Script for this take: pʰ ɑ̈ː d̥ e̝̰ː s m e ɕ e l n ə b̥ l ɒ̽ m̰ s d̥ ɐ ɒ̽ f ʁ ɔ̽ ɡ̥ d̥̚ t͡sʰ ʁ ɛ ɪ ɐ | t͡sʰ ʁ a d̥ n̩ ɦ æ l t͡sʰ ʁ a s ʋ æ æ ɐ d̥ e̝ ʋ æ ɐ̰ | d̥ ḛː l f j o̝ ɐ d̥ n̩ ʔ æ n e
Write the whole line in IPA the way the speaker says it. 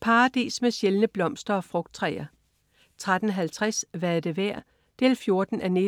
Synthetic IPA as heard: pʰ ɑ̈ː d̥ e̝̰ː s m e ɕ e l n ə b̥ l ɒ̽ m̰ s d̥ ɐ ɒ̽ f ʁ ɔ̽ ɡ̥ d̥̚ t͡sʰ ʁ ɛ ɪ ɐ | t͡sʰ ʁ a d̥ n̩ ɦ æ l t͡sʰ ʁ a s ʋ æ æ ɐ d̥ e̝ ʋ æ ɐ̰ | d̥ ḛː l f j o̝ ɐ d̥ n̩ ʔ æ n e

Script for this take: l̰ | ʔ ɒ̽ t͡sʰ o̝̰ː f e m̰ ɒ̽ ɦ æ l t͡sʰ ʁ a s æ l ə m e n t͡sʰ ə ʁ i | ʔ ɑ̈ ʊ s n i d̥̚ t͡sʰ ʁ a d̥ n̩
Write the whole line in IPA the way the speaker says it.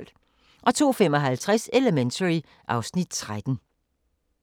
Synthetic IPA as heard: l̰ | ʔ ɒ̽ t͡sʰ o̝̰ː f e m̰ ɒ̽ ɦ æ l t͡sʰ ʁ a s e l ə m e n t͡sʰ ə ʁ i | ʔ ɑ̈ ʊ s n i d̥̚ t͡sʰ ʁ a d̥ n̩

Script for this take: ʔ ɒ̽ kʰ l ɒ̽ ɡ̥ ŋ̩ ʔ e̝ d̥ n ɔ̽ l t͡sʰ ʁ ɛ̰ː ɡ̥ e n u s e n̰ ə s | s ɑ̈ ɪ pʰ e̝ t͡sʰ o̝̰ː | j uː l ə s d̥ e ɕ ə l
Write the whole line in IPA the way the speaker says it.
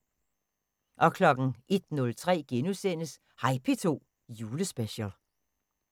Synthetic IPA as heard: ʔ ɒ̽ kʰ l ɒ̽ ɡ̥ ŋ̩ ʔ e̝ d̥ n ɔ̽ l t͡sʰ ʁ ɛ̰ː ɡ̥ e n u s e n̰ ə s | h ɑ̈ ɪ pʰ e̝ t͡sʰ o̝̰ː | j uː l ə s b̥ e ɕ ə l

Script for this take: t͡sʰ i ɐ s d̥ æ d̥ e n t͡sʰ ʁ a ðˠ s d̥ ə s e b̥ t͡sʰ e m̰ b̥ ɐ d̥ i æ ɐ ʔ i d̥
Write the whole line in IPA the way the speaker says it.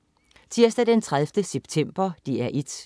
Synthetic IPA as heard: t͡sʰ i ɐ s d̥ æ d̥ e n t͡sʰ ʁ a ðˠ f d̥ ə s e b̥ t͡sʰ e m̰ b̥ ɐ d̥ i æ ɐ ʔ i d̥

